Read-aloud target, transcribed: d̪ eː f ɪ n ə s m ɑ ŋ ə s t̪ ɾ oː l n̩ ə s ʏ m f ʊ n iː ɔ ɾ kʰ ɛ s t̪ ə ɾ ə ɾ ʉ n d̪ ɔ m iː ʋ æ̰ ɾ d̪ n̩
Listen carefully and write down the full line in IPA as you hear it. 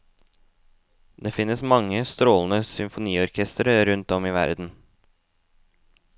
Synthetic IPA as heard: d̪ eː f ɪ n ə s m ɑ ŋ ə s t̪ ɾ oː l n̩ ə s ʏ m f ʊ n iː ɔ ɾ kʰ ɛ s t̪ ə ɾ ə ɾ ʉ n t̪ ɔ m iː ʋ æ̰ ɾ d̪ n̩